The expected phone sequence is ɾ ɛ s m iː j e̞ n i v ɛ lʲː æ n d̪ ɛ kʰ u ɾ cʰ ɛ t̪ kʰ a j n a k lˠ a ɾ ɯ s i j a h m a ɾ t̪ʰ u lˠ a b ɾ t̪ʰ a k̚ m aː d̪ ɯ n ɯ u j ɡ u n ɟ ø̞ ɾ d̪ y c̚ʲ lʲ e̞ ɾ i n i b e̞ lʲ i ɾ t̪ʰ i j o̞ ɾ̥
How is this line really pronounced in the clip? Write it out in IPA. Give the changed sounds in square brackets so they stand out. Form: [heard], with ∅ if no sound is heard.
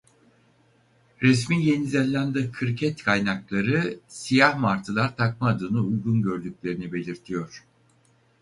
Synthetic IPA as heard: ɾ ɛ s m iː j e̞ n i [z] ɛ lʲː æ n d̪ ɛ kʰ [ɯ] ɾ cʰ ɛ t̪ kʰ a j n a k lˠ a ɾ ɯ s i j a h m a ɾ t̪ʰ [ɯ] lˠ a [∅] ɾ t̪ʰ a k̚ m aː d̪ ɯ n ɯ u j ɡ u n ɟ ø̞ ɾ d̪ y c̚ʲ lʲ e̞ ɾ i n i b e̞ lʲ i ɾ t̪ʰ i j o̞ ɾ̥

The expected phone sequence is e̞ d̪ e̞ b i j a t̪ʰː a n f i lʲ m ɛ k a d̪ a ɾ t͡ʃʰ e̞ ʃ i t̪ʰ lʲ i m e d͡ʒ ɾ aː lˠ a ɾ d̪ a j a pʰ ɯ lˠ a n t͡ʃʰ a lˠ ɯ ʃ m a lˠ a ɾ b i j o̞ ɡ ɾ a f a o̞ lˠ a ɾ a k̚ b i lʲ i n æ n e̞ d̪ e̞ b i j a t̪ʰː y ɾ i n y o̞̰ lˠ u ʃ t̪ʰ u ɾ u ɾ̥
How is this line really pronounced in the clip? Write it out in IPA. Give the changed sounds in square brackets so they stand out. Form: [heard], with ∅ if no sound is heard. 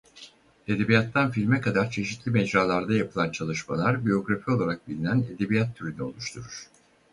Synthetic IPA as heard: e̞ d̪ e̞ b i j a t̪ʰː a n f i lʲ m ɛ k a d̪ a ɾ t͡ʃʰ e̞ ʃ i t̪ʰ lʲ i m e d͡ʒ ɾ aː lˠ a ɾ d̪ a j a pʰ ɯ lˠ a n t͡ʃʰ a lˠ ɯ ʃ m a lˠ a ɾ b i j o̞ ɡ ɾ a f [i] o̞ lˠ a ɾ a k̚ b i lʲ i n æ n e̞ d̪ e̞ b i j a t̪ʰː y ɾ [y] n y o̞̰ lˠ u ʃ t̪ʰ u ɾ u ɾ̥

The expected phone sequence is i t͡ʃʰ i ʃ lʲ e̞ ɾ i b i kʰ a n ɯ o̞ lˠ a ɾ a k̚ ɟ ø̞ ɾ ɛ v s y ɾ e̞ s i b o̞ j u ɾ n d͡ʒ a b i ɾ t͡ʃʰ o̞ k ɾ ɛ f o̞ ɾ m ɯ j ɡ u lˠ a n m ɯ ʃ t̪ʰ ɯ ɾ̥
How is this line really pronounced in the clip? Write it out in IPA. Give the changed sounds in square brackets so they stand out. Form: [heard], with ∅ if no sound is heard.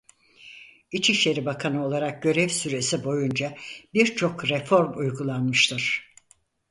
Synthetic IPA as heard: i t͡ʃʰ i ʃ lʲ e̞ ɾ i b [a] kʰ a n ɯ o̞ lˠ a ɾ a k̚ ɟ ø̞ ɾ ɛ v s y ɾ e̞ s i b o̞ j u [∅] n d͡ʒ a b i ɾ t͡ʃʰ o̞ k ɾ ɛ f o̞ ɾ m [u] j ɡ u lˠ a n m ɯ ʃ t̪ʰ ɯ ɾ̥

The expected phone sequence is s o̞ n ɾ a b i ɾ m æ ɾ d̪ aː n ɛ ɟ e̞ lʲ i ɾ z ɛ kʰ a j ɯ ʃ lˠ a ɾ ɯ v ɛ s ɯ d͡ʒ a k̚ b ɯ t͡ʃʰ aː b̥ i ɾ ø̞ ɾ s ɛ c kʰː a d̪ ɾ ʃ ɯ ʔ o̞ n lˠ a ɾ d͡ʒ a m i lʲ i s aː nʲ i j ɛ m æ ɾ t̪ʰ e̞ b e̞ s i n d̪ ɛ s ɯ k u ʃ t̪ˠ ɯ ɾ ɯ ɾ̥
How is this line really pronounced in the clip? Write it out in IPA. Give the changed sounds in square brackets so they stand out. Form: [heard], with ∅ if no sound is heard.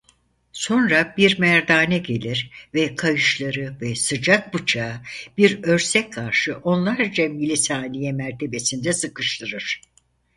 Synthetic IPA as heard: s o̞ n ɾ a b i ɾ m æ ɾ d̪ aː n ɛ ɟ e̞ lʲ i ɾ [v] ɛ kʰ a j ɯ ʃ lˠ a ɾ ɯ v ɛ s ɯ d͡ʒ a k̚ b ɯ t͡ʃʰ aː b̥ i ɾ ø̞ ɾ s ɛ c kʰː a [∅] ɾ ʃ ɯ ʔ o̞ n lˠ a ɾ d͡ʒ a m i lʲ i s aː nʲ i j ɛ m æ ɾ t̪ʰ e̞ b e̞ s i n d̪ ɛ s ɯ k [ɯ] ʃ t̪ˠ ɯ ɾ ɯ ɾ̥

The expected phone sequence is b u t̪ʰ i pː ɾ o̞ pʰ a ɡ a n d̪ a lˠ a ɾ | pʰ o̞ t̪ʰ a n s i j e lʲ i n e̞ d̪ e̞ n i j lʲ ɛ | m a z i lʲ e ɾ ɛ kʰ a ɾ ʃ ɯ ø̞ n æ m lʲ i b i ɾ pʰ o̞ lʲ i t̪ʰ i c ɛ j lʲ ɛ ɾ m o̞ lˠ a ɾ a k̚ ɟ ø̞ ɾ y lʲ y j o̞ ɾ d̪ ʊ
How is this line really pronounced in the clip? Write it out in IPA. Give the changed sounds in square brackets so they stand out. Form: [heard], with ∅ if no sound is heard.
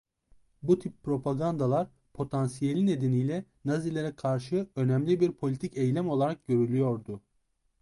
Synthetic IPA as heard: b u t̪ʰ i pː ɾ o̞ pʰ a ɡ a n d̪ a lˠ a ɾ | pʰ o̞ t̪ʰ a n s i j e lʲ i n e̞ d̪ e̞ n i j lʲ ɛ | [n] a z i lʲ e ɾ ɛ kʰ a ɾ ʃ ɯ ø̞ n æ m lʲ i b i ɾ pʰ o̞ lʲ i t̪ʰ i c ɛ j lʲ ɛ [∅] m o̞ lˠ a ɾ a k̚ ɟ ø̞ ɾ y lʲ y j o̞ ɾ d̪ ʊ

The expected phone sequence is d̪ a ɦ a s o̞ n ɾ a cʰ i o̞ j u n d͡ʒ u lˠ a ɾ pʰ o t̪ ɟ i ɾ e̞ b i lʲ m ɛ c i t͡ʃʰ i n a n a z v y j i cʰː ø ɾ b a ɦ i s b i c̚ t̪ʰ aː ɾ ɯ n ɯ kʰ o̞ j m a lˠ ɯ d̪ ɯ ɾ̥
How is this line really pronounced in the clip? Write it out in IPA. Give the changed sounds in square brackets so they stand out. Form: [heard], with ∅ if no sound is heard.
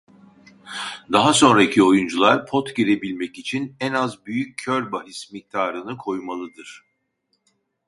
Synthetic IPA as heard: d̪ a ɦ a s o̞ n ɾ a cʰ i o̞ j u n d͡ʒ u lˠ a ɾ pʰ o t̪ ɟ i ɾ e̞ b i lʲ m ɛ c i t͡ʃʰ i n [ɛ] n a z [b] y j [y] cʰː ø ɾ b a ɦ i s [m] i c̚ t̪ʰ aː ɾ ɯ n ɯ kʰ o̞ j m a lˠ ɯ d̪ ɯ ɾ̥

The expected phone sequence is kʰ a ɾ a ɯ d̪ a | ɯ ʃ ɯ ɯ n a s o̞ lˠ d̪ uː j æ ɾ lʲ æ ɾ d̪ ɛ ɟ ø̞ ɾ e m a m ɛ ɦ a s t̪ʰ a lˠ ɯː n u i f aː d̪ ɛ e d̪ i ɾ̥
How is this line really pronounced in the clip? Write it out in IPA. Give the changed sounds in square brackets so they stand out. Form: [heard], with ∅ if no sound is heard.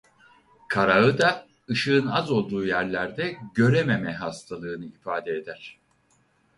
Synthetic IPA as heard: kʰ a ɾ a ɯ d̪ a | ɯ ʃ ɯ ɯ n a [z] o̞ lˠ d̪ uː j æ ɾ lʲ æ ɾ d̪ ɛ ɟ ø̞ ɾ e m [e] m ɛ ɦ a s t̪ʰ a lˠ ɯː n [ɯ] i f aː d̪ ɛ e d̪ [æ] ɾ̥

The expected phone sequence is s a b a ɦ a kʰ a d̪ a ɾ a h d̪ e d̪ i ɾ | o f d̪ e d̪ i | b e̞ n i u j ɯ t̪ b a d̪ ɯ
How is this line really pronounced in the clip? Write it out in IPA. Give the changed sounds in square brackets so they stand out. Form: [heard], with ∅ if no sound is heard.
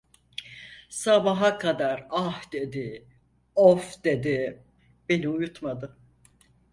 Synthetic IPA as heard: s a b a ɦ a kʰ a d̪ a ɾ a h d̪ e d̪ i [∅] | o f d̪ e d̪ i | b e̞ n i u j [u] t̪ [m] a d̪ ɯ

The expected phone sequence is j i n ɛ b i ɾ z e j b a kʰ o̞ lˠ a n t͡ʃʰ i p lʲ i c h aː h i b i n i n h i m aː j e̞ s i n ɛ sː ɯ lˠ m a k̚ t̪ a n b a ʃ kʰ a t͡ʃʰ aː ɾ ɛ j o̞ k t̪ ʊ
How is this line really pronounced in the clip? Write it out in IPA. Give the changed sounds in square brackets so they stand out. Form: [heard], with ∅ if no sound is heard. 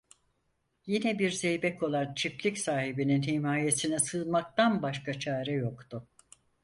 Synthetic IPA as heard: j i n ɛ b i ɾ z e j b [ɛ] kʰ o̞ lˠ a n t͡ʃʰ i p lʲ i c [s] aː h i b i n i n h i m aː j e̞ s i n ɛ [s] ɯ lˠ m a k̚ t̪ a n b a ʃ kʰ a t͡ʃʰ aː ɾ ɛ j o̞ k t̪ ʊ

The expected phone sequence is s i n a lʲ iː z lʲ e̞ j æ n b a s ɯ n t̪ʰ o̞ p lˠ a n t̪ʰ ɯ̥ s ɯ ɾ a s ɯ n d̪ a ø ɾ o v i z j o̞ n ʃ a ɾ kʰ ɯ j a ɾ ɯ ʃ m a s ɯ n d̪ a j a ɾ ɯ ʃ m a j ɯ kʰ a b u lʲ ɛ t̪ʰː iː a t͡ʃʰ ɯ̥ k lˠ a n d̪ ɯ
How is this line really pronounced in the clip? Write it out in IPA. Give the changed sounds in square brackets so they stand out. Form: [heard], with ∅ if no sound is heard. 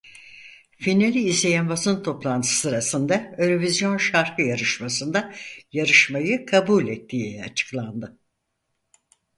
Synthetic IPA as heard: [f] i n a lʲ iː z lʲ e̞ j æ n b a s ɯ n t̪ʰ o̞ p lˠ a n t̪ʰ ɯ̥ s ɯ ɾ a s ɯ n d̪ a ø ɾ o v i z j o̞ n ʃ a ɾ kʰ ɯ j a ɾ ɯ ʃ m a s ɯ n d̪ a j a ɾ ɯ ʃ m a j ɯ kʰ a b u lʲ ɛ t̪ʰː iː a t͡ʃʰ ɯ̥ k lˠ a n d̪ ɯ

